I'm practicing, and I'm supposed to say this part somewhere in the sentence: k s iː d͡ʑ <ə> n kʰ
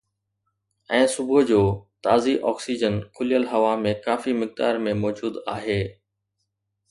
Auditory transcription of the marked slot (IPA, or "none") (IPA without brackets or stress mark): ə